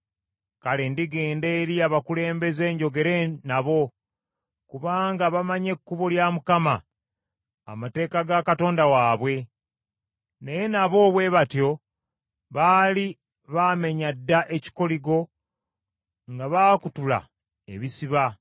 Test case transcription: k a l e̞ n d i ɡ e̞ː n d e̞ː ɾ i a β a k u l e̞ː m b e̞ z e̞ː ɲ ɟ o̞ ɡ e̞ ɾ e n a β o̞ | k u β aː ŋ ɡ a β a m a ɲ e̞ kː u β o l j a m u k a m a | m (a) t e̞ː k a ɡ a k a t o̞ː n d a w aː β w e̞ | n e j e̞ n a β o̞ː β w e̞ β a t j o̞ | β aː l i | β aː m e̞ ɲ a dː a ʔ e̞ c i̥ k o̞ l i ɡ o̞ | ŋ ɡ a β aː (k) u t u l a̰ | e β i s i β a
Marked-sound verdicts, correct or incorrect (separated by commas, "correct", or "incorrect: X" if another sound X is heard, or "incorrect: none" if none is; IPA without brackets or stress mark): correct, correct